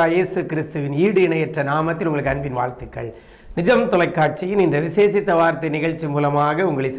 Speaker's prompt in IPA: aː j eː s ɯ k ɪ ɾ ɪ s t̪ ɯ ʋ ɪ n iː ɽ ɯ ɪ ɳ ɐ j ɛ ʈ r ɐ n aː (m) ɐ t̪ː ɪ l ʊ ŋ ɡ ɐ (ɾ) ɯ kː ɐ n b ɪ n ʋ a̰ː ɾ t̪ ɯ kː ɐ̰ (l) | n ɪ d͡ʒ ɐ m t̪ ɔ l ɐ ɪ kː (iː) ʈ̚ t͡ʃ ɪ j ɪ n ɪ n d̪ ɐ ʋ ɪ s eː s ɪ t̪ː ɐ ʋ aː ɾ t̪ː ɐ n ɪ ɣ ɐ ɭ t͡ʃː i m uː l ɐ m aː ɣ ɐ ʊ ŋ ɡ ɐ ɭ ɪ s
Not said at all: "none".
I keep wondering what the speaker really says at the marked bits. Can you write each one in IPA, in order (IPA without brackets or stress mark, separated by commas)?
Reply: m, ɭ, ɭ, aː